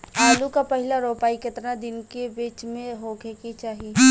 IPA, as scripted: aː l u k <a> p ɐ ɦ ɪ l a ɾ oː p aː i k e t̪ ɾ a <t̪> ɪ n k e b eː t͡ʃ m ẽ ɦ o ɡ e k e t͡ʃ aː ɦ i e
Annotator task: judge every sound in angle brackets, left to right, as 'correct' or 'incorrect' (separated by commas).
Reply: correct, incorrect